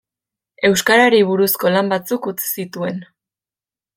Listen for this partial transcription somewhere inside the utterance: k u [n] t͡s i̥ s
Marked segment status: incorrect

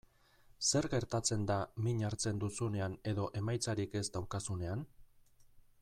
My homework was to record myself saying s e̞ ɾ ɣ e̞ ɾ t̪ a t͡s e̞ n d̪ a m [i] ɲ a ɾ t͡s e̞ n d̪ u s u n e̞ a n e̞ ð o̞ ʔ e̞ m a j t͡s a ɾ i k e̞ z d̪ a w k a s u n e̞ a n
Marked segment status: correct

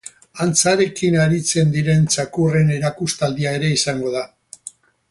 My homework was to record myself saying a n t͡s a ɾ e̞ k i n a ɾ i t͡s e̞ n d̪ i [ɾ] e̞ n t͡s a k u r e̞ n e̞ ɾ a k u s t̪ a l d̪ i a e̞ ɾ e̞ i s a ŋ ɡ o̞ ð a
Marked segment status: correct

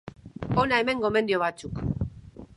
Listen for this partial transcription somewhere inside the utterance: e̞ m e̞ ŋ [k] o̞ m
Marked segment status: incorrect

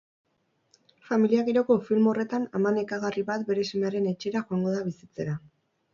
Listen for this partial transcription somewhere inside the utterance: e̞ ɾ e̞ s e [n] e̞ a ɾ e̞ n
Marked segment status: incorrect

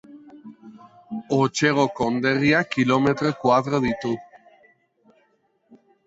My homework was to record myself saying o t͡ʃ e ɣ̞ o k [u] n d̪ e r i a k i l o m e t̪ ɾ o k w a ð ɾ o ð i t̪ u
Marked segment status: incorrect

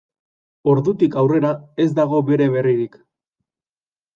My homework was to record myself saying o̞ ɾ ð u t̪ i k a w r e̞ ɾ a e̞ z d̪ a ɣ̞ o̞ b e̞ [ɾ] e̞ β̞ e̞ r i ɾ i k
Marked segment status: correct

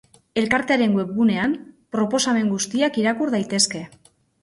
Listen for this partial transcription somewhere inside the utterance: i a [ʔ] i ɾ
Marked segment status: incorrect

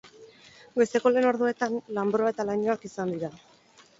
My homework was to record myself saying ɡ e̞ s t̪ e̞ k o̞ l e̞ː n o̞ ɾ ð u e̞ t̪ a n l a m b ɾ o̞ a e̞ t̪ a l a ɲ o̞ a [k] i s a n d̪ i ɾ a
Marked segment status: correct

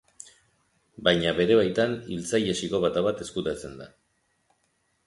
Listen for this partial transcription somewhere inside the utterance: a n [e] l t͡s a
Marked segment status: incorrect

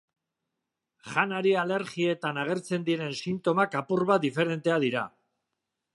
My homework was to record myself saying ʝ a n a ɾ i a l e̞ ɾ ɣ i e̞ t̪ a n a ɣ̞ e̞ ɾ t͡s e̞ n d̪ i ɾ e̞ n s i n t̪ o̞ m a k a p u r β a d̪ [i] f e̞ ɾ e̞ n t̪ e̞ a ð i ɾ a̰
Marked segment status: correct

